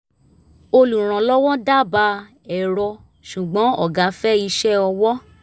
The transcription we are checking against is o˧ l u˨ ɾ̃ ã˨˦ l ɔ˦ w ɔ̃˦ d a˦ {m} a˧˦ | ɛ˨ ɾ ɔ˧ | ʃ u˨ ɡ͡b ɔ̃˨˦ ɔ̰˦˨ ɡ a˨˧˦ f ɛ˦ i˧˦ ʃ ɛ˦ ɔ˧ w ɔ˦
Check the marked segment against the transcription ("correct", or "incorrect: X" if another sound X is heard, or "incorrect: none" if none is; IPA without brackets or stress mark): incorrect: b